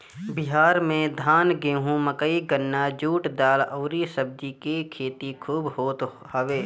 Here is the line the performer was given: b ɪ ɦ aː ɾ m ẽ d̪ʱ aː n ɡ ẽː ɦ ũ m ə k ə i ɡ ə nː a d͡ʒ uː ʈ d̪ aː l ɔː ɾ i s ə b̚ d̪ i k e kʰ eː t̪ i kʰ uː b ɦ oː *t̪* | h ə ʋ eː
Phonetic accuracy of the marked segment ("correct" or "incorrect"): correct